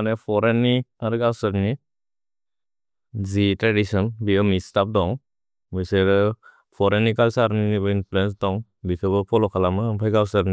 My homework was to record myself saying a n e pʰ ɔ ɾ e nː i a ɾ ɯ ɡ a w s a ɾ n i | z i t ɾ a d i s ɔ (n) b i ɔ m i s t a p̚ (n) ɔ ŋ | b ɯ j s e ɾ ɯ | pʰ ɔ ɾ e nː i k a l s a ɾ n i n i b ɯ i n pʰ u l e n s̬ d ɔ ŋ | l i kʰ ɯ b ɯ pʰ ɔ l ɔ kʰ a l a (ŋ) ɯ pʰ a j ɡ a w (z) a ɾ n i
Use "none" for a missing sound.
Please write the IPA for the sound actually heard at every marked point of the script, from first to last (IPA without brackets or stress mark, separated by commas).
n, d, m, s